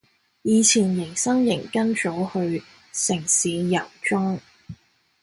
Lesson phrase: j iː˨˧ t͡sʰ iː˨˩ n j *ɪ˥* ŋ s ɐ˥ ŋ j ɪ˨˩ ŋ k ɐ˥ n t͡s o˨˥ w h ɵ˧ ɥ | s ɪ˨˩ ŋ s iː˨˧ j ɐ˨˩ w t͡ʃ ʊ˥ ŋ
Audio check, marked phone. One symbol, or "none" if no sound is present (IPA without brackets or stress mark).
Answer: ɪ˨˩